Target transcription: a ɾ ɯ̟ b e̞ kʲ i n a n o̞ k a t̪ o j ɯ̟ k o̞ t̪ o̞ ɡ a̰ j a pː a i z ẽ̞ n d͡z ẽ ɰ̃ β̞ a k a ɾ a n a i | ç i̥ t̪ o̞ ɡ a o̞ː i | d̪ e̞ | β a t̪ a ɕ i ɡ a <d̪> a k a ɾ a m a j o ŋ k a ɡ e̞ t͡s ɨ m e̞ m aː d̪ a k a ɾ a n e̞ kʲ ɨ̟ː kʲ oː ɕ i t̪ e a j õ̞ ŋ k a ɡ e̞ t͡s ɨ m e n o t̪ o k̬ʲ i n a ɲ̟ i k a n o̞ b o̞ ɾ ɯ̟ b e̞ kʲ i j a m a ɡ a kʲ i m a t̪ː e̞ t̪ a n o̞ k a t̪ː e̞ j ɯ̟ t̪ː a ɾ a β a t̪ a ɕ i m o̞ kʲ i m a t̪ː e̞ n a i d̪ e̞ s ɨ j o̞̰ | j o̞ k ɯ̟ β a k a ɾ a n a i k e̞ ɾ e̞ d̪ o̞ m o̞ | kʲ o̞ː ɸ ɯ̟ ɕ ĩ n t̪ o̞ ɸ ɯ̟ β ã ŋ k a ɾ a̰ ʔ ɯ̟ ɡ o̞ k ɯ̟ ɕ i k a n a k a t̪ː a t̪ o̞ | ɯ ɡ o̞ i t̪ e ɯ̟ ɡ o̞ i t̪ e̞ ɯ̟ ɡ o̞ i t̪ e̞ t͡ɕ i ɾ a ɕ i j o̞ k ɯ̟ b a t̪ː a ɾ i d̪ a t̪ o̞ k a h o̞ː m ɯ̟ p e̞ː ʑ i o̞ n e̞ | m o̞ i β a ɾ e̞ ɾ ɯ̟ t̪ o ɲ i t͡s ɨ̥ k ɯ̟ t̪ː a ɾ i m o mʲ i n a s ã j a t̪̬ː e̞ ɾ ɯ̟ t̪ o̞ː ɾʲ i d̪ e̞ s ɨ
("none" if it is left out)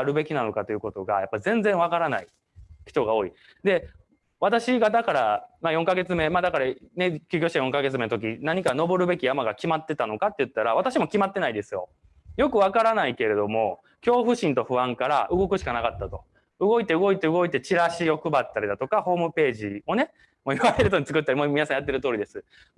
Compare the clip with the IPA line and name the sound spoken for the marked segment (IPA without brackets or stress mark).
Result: d̪